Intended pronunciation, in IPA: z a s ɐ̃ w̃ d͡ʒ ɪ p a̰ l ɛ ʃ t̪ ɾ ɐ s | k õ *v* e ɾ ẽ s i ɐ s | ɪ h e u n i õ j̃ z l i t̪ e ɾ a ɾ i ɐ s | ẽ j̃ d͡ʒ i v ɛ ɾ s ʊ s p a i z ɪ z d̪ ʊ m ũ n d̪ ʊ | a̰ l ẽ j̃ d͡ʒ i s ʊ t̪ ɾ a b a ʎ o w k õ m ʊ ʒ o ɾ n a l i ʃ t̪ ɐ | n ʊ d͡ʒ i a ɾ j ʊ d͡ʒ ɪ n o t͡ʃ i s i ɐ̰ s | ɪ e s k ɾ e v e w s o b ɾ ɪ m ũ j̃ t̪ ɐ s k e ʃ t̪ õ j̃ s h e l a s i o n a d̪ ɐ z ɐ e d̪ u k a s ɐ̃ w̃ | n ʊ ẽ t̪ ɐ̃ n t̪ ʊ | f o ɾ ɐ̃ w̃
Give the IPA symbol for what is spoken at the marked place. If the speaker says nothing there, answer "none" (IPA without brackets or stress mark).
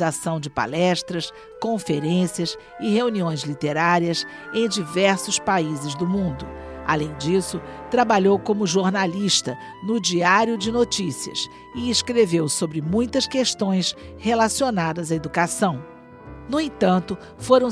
f